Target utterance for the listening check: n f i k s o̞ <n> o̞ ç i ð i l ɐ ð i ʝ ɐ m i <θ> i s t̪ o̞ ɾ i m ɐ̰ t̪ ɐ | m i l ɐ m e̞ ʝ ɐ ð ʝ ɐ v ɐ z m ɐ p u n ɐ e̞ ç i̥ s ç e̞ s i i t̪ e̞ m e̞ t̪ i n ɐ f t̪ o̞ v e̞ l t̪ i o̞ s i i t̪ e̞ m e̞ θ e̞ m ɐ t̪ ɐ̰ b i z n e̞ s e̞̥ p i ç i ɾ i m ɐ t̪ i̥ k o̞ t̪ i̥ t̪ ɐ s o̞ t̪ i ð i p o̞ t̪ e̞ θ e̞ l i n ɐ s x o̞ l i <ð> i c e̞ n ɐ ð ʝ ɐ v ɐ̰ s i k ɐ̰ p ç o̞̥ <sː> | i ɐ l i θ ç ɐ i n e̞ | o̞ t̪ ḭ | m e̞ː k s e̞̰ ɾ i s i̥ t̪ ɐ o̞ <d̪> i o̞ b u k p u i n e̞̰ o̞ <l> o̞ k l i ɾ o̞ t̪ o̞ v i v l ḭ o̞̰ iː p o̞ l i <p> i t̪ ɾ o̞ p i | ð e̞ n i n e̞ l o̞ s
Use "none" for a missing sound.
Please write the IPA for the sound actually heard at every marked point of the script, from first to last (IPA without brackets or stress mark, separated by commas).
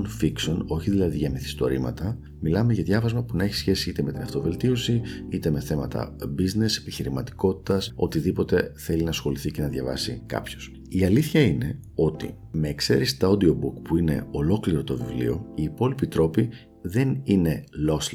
n, θ, θ, s, d̪, l, p